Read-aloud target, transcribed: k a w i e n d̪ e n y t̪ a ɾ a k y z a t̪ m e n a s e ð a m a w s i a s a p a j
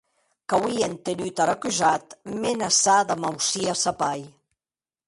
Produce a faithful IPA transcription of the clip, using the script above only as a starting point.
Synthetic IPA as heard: k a w i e n t̪ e n y t̪ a ɾ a k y z a t̪ m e n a s a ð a m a w s i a s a p a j